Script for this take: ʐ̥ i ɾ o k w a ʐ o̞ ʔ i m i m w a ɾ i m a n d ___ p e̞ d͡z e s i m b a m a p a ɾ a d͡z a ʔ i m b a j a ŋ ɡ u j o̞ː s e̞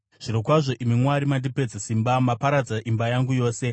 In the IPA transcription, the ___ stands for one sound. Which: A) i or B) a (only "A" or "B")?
A